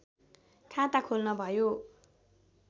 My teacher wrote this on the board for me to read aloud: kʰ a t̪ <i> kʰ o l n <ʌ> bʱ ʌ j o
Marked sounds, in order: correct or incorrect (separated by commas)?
incorrect, correct